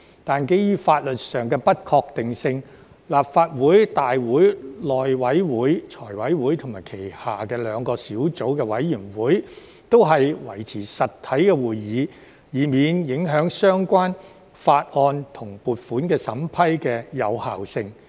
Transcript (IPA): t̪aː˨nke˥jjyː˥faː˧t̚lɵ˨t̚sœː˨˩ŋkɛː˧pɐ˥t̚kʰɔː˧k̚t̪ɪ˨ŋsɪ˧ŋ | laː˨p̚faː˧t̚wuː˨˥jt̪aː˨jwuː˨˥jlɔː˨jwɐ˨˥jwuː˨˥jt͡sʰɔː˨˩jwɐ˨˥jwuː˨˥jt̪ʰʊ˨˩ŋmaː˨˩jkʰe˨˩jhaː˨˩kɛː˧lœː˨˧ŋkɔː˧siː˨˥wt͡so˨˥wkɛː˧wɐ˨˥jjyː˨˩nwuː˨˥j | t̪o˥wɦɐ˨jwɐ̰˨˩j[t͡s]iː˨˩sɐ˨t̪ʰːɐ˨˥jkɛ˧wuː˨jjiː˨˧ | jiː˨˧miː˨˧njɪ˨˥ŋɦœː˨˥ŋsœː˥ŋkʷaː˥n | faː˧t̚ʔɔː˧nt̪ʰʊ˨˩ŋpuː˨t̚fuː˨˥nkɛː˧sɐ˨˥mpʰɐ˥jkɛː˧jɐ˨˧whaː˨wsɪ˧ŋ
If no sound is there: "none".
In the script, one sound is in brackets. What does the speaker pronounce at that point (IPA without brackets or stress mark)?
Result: t͡sʰ